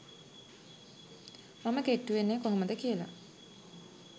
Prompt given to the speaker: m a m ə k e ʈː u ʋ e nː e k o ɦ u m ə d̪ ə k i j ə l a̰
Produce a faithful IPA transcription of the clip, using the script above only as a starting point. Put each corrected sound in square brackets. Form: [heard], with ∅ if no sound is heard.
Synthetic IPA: m a m ə k e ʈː u ʋ e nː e k o ɦ [o] m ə d̪ ə k i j ə l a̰